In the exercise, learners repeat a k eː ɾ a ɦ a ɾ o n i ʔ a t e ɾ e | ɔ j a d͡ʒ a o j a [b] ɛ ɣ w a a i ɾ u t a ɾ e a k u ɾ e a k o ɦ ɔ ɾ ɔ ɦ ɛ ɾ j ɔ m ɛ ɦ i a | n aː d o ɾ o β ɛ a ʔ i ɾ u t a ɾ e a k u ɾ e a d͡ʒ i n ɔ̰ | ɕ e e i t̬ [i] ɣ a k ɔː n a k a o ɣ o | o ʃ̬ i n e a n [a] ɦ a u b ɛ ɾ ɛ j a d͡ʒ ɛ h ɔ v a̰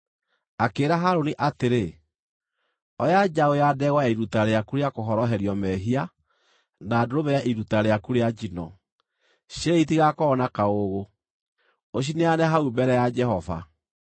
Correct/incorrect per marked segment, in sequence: incorrect: d, correct, incorrect: ɛ

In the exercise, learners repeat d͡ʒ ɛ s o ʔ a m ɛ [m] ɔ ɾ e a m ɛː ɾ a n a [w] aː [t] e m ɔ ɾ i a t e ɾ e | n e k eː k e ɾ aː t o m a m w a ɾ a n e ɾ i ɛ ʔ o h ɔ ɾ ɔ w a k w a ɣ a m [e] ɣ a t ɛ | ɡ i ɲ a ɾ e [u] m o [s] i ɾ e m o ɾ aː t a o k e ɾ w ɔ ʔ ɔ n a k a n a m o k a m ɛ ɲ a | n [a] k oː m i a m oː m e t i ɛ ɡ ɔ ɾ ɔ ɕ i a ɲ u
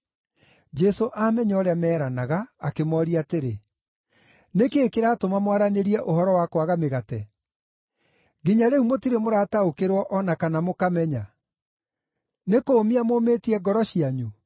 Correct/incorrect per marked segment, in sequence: incorrect: ɲ, incorrect: ɣ, incorrect: k, correct, correct, incorrect: t, incorrect: e

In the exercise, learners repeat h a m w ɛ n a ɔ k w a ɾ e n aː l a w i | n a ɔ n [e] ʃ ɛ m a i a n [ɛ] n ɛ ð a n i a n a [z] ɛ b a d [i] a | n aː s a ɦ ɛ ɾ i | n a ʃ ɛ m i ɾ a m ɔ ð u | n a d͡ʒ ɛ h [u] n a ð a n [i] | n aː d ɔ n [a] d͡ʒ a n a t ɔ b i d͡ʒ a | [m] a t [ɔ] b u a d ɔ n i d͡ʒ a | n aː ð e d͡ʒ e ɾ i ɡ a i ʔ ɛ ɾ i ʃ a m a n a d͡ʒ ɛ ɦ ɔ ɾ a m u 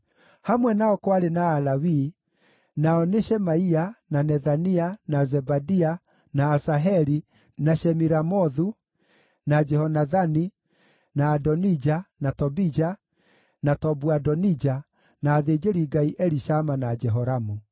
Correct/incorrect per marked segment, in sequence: correct, incorrect: a, correct, correct, incorrect: ɔ, correct, incorrect: i, incorrect: n, correct

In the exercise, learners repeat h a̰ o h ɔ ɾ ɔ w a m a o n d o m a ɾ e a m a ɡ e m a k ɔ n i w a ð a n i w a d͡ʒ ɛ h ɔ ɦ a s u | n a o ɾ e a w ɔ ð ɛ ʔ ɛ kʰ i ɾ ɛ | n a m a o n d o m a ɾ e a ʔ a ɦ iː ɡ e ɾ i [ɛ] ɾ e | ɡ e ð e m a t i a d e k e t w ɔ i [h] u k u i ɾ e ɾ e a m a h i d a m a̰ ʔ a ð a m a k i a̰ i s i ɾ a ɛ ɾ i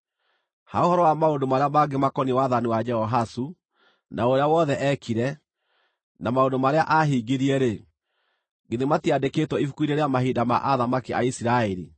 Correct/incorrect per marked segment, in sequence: correct, incorrect: f

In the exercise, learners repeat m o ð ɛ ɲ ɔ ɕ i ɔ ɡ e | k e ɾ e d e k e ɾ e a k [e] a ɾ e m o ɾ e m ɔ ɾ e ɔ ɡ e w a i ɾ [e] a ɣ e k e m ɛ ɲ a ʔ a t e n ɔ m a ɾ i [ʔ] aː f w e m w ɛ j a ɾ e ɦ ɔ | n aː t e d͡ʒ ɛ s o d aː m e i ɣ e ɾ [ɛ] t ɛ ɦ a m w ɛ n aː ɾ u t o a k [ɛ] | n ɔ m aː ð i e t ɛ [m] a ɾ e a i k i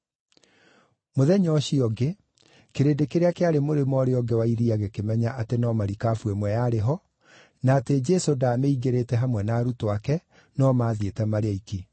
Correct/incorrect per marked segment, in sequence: correct, incorrect: i, incorrect: k, incorrect: e, correct, correct

